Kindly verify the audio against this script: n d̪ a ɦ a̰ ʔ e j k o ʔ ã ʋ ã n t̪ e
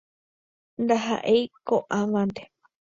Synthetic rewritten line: n d̪ a ɦ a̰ ʔ e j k o ʔ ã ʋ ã n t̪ e